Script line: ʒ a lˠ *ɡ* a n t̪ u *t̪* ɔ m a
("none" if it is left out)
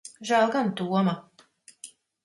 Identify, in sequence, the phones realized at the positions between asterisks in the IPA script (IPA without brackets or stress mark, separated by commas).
ɡ, none